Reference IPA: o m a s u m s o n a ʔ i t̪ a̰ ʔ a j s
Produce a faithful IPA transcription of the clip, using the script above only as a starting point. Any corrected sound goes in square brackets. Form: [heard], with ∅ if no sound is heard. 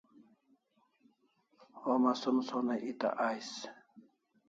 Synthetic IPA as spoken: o m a s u m s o n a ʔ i t̪ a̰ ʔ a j s